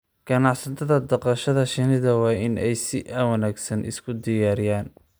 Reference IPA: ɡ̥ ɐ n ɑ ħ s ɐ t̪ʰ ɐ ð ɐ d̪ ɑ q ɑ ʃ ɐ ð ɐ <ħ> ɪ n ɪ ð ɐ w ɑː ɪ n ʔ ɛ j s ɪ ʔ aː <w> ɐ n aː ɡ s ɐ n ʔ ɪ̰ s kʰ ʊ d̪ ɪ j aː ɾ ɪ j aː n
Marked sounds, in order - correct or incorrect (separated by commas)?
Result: incorrect, correct